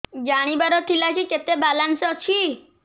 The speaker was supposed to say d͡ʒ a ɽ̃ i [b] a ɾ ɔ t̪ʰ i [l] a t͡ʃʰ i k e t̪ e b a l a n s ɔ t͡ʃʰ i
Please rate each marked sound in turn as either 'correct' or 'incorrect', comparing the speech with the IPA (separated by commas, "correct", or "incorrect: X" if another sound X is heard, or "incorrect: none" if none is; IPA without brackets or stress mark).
correct, correct